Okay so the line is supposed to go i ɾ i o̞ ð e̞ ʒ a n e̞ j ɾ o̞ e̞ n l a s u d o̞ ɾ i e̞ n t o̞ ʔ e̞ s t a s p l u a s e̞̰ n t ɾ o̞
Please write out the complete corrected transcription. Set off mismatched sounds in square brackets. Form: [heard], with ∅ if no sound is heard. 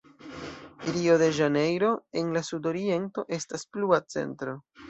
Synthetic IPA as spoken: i ɾ i o̞ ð e̞ ʒ a n e̞ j ɾ o̞ e̞ n l a s u d o̞ ɾ i e̞ n t o̞ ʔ e̞ s t a s p l u a [t͡s] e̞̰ n t ɾ o̞